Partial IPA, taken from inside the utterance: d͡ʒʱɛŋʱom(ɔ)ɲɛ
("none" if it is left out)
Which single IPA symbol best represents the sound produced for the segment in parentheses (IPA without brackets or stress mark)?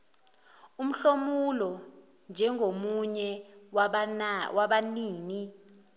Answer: u